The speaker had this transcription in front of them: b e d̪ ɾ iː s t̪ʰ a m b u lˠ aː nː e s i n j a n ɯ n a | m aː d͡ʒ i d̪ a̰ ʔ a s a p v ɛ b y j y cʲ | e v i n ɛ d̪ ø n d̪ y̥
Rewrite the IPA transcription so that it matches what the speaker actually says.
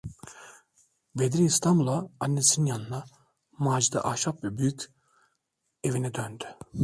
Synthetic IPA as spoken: b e d̪ ɾ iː s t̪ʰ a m b u lˠ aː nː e s i n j a n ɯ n a | m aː d͡ʒ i d̪ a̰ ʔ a ʃ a p v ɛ b y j y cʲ | e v i n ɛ d̪ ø n d̪ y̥